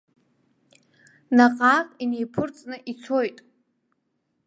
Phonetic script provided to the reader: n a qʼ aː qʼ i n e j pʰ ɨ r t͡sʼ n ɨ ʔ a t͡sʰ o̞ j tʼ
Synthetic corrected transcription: n a qʼ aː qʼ i n e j pʰ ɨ r t͡sʼ n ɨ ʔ i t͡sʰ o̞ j tʼ